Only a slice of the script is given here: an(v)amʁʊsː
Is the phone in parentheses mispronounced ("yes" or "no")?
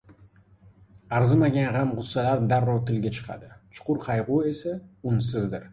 yes